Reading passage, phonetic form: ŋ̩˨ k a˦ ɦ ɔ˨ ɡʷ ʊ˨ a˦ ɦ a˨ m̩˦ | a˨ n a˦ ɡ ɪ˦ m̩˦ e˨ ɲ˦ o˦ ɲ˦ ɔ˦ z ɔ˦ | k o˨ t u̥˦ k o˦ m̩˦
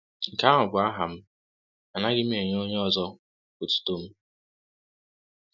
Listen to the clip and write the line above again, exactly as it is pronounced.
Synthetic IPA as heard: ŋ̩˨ k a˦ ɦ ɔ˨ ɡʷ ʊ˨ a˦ ɦ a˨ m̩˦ | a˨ n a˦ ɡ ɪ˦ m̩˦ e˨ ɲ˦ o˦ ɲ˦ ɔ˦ z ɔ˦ | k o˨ t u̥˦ t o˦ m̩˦